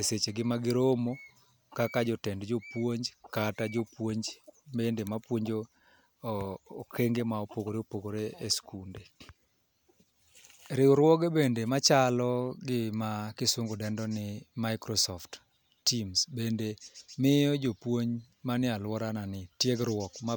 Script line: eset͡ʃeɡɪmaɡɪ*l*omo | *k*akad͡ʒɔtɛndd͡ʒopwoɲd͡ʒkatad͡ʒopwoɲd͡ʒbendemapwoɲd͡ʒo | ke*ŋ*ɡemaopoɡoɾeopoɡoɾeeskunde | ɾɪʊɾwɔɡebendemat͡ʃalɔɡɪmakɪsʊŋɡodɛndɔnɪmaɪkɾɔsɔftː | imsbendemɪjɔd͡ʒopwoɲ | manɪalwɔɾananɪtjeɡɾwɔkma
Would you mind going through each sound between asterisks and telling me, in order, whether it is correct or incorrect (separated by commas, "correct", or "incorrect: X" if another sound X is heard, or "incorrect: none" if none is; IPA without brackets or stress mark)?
incorrect: ɾ, correct, correct